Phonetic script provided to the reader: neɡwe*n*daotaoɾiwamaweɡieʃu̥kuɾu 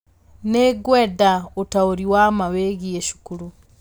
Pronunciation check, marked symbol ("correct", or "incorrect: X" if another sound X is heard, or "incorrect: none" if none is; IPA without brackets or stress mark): incorrect: none